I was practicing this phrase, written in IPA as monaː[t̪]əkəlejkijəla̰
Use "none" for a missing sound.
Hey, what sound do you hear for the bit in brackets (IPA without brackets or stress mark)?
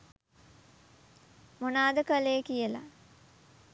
d̪